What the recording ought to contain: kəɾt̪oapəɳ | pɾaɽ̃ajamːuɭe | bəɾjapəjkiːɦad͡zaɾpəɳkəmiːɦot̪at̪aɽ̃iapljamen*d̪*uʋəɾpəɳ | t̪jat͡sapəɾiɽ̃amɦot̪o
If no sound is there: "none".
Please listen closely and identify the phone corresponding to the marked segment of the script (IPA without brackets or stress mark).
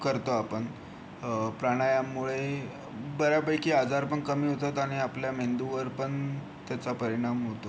d̪